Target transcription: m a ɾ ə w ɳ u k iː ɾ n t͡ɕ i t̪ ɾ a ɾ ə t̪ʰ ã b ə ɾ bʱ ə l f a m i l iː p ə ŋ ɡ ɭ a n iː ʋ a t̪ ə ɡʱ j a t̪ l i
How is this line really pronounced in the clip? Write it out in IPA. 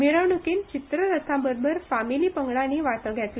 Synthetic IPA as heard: m i ɾ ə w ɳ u k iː n t͡ɕ i t̪ ɾ ə ɾ ə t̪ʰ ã b ə ɾ bʱ ə ɾ f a m i l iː p ə ŋ ɡ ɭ a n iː ʋ a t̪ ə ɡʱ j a t̪ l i